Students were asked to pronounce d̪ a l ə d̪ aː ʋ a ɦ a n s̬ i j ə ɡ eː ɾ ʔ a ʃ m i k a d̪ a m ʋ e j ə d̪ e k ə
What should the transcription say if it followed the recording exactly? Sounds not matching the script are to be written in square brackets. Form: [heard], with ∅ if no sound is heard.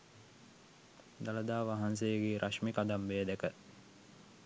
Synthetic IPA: d̪ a l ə d̪ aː ʋ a ɦ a n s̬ [e] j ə ɡ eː ɾ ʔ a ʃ m i k a d̪ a m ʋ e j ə d̪ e k ə